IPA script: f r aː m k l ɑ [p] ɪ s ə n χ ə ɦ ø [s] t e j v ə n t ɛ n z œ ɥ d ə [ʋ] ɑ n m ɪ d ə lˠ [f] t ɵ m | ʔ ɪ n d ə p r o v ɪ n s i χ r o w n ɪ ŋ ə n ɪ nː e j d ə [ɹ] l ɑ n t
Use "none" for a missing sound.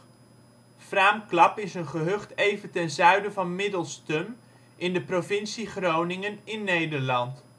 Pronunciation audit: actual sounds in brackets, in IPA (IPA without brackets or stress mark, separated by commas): p, χ, v, s, ɹ